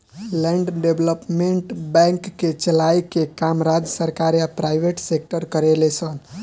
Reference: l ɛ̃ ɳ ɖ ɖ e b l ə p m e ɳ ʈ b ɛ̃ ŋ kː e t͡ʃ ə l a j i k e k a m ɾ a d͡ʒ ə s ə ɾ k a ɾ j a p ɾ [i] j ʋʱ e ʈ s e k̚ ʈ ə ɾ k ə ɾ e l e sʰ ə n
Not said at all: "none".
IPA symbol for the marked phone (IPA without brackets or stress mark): a